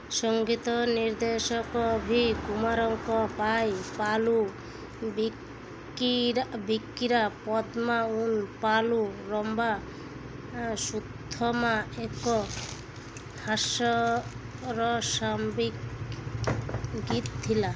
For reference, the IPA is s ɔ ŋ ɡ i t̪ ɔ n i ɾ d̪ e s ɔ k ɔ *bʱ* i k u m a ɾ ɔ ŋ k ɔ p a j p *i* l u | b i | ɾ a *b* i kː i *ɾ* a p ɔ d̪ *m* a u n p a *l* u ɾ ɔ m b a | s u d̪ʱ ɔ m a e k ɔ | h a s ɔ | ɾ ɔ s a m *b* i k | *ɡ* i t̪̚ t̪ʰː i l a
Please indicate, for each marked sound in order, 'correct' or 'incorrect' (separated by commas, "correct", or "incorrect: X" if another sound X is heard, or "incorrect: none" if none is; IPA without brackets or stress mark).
correct, incorrect: a, correct, correct, correct, correct, correct, correct